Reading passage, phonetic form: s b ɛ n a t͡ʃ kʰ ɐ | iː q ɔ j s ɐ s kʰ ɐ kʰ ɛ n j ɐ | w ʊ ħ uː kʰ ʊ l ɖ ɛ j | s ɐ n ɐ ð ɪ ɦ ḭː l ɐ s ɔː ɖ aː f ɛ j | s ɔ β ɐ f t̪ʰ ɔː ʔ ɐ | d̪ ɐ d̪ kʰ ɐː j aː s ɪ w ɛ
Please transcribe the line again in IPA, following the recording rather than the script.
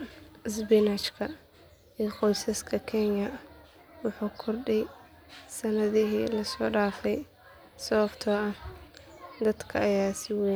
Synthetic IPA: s b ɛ n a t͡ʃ kʰ ɐ | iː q ɔ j s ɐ s kʰ ɐ kʰ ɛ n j ɐ | w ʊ ħ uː kʰ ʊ r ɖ ɛ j | s ɐ n ɐ ð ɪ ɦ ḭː l ɐ s ɔː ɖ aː f ɛ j | s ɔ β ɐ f t̪ʰ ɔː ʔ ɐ | d̪ ɐ d̪ kʰ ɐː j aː s ɪ w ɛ

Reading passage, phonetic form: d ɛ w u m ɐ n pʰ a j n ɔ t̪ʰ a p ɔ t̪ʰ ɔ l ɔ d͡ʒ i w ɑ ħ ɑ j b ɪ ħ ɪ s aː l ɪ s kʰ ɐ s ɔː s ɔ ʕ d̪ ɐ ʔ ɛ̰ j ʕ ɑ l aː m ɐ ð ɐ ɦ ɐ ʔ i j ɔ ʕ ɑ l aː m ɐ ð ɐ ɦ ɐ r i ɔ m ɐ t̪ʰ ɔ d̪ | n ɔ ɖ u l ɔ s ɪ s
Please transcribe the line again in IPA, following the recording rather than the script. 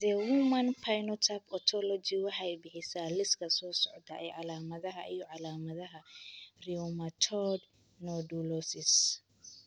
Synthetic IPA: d ɛ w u m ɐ n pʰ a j n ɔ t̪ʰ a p ɔ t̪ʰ ɔ l ɔ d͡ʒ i w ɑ ħ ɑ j b ɪ ħ ɪ s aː l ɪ s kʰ ɐ s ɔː s ɔ ʕ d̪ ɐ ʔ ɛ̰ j ʕ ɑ l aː m ɐ ð ɐ ɦ ɐ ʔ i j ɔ ʕ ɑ l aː m ɐ ð ɐ ɦ ɐ r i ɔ m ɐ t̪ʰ ɔ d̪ | n ɔ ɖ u l ɔ s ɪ s

